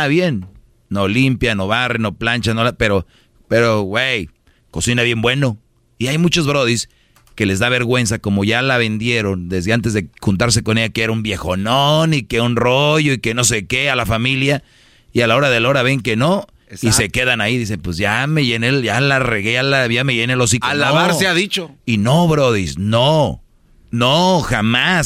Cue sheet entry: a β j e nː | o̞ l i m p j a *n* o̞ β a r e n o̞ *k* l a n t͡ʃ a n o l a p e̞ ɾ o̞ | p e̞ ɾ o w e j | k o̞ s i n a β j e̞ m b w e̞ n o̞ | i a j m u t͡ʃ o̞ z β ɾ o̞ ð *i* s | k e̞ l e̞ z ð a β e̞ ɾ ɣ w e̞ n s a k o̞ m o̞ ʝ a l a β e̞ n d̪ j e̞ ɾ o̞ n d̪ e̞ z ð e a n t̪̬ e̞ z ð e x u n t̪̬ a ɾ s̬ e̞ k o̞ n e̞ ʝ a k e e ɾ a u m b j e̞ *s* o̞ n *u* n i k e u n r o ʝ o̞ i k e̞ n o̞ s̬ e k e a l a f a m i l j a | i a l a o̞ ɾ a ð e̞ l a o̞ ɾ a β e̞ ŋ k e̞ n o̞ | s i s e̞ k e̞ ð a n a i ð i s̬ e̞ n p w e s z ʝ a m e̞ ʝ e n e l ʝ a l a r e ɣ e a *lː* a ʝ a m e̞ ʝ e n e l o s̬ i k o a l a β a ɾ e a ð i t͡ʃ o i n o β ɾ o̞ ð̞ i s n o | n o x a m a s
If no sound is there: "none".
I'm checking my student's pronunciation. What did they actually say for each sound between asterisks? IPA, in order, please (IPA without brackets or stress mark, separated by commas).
n, p, i, x, o, l